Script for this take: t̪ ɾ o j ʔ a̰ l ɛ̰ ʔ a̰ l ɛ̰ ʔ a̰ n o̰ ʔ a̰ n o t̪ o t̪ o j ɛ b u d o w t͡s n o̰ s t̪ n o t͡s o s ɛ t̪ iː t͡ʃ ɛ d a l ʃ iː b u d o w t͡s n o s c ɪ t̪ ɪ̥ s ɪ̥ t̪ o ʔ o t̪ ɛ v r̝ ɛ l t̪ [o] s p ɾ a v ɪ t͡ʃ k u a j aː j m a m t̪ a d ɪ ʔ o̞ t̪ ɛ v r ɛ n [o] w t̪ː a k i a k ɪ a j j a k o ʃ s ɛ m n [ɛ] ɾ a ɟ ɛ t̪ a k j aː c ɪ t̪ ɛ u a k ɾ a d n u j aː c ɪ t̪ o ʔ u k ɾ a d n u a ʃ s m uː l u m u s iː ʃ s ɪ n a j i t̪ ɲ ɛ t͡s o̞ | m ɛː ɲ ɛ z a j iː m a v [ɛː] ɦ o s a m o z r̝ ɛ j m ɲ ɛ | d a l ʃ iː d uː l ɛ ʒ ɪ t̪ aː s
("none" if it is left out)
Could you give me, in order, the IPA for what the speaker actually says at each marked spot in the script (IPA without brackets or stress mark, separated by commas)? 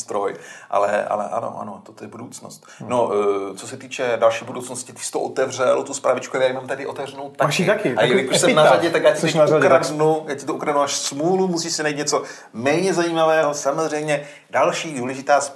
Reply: u, o, a, ɛː